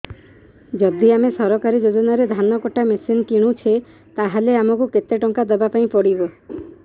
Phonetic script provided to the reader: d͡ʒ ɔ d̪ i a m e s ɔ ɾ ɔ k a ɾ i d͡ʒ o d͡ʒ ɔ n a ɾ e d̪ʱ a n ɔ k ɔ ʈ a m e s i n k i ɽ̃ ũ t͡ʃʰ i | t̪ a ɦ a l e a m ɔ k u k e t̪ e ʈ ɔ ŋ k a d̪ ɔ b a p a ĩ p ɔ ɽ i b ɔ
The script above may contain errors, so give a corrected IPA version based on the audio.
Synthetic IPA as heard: d͡ʒ ɔ d̪ i a m e s ɔ ɾ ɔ k a ɾ i d͡ʒ o d͡ʒ ɔ n a ɾ e d̪ʱ a n ɔ k ɔ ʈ a m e s i n k i ɽ̃ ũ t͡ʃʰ e | t̪ a ɦ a l e a m ɔ k u k e t̪ e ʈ ɔ ŋ k a d̪ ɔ b a p a ĩ p ɔ ɽ i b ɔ